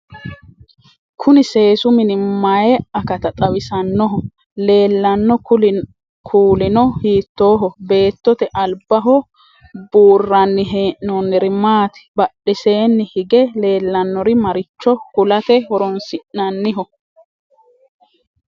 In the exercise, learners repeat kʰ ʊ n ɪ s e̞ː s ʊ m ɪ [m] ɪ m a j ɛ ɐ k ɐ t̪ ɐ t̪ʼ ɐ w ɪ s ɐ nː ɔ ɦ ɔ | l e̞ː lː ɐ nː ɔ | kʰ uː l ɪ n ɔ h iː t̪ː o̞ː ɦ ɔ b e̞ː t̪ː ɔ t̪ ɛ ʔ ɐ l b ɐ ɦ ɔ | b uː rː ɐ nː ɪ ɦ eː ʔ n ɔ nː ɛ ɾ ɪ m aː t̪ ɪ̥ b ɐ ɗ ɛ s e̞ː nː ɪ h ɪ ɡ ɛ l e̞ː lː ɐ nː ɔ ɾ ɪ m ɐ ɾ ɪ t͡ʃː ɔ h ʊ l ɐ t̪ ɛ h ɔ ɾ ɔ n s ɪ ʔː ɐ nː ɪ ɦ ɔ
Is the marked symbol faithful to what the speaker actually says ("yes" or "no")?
no